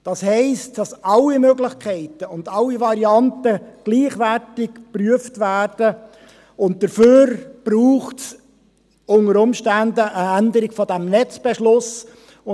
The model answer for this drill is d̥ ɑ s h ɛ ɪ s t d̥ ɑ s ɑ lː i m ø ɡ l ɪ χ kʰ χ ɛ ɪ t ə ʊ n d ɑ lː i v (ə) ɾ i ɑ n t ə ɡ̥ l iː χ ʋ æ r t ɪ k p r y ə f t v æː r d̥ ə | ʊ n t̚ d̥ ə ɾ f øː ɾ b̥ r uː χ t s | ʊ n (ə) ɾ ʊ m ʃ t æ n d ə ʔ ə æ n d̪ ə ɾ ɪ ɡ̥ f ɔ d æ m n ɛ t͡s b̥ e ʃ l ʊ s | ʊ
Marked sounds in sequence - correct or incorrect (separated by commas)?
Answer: incorrect, correct